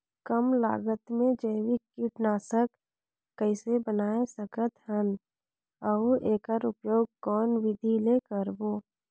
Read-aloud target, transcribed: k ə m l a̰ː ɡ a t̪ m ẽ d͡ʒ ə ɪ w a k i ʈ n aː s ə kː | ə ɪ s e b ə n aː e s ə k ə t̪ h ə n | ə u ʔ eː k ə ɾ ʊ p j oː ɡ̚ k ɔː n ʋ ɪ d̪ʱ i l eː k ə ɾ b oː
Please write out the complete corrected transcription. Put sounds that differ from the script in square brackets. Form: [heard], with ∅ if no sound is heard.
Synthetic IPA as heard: k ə m l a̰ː ɡ [ə] t̪ m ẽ d͡ʒ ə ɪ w [i] k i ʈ n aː s ə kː | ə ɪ s e b ə n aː e s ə k ə t̪ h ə n | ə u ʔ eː k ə ɾ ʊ p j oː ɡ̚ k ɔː n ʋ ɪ d̪ʱ i l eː k ə ɾ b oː